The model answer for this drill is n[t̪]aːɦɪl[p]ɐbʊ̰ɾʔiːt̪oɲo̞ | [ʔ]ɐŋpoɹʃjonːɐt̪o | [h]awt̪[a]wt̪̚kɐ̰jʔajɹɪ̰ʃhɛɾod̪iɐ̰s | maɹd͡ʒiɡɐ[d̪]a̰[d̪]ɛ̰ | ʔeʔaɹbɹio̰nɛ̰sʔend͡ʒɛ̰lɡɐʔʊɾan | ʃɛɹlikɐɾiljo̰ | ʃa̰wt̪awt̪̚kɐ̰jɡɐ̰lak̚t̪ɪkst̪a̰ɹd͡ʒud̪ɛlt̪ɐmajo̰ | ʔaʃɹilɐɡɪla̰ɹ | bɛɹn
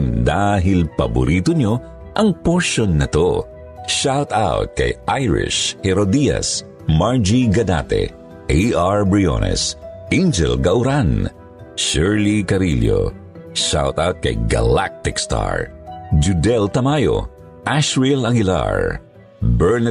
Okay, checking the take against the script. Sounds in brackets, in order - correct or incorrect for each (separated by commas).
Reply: incorrect, correct, correct, incorrect, correct, correct, incorrect